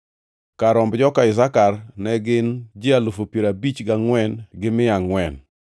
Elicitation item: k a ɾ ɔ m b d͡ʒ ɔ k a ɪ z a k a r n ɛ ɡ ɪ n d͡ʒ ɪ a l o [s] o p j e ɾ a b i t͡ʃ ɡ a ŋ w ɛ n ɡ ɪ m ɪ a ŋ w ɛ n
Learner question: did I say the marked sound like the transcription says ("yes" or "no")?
no